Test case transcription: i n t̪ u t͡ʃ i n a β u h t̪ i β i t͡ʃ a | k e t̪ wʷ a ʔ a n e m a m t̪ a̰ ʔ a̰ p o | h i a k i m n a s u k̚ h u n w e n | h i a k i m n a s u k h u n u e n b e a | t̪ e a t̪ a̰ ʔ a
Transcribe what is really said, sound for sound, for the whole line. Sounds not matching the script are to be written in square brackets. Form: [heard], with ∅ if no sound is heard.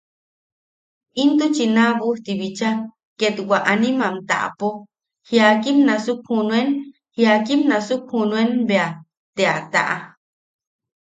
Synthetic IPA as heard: i n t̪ u t͡ʃ i n a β u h t̪ i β i t͡ʃ a | k e t̪ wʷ a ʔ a n [i] m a m t̪ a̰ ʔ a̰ p o | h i a k i m n a s u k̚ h u n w e n | h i a k i m n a s u k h u n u e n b e a | t̪ e a t̪ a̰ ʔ a